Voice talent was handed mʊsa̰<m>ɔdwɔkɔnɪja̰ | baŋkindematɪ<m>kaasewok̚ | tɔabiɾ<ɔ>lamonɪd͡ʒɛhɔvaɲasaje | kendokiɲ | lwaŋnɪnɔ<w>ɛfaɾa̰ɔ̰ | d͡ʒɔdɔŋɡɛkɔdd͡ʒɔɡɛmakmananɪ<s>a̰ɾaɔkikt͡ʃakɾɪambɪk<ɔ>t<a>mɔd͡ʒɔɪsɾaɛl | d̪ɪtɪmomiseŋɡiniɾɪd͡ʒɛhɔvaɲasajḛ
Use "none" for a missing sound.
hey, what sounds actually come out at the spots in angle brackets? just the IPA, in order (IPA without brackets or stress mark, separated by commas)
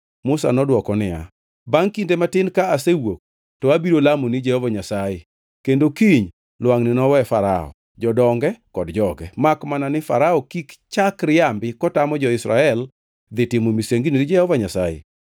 n, n, o, w, f, ɔ, a